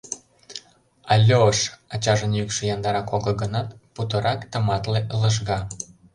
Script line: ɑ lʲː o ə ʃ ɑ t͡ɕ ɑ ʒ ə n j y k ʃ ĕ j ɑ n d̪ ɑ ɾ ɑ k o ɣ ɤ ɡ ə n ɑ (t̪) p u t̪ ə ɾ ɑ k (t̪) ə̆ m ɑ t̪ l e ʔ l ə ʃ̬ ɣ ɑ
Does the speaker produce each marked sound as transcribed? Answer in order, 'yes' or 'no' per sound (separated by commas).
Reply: yes, yes